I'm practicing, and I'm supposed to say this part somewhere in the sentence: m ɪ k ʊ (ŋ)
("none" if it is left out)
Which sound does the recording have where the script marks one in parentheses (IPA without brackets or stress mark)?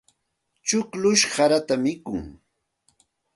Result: ŋ